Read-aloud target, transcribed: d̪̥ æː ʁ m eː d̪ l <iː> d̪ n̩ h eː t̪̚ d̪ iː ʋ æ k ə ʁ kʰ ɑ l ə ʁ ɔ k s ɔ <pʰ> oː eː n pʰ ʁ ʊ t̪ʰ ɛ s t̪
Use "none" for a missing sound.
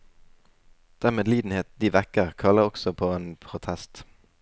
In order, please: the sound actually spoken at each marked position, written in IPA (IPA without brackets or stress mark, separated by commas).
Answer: iː, pʰ